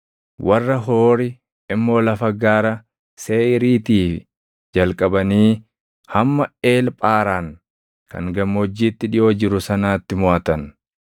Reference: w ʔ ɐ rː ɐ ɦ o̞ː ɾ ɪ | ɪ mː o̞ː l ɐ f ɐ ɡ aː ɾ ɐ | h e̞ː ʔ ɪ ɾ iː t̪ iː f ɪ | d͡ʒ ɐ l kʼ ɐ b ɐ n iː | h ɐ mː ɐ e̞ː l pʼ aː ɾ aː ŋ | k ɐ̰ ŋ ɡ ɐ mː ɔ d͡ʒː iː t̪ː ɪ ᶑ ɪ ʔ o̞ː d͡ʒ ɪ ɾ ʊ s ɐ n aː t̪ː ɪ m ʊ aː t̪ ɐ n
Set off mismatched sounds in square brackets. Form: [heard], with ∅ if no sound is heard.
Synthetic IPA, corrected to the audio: w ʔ ɐ rː ɐ ɦ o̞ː ɾ ɪ | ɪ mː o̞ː l ɐ f ɐ ɡ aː ɾ ɐ | [s] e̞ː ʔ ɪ ɾ iː t̪ iː f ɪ | d͡ʒ ɐ l kʼ ɐ b ɐ n iː | h ɐ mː ɐ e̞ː l pʼ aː ɾ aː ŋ | k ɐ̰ ŋ ɡ ɐ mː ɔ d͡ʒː iː t̪ː ɪ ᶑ ɪ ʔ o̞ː d͡ʒ ɪ ɾ ʊ s ɐ n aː t̪ː ɪ m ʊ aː t̪ ɐ n